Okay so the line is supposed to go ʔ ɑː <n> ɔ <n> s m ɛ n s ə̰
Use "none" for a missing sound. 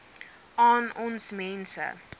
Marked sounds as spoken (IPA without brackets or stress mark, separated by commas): n, n